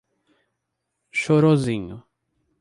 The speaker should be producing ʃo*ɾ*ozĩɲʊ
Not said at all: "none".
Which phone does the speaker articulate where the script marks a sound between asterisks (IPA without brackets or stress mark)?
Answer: ɾ